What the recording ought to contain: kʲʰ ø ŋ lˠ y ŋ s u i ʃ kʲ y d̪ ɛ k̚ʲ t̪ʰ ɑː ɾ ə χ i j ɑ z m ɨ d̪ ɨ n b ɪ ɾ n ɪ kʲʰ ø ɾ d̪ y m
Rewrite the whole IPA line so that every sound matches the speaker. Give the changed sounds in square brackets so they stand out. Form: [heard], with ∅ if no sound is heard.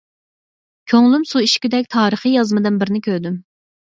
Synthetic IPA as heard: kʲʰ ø ŋ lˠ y [m] s u i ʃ kʲ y d̪ ɛ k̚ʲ t̪ʰ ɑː ɾ ə χ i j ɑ z m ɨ d̪ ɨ n b ɪ ɾ n ɪ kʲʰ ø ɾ d̪ y m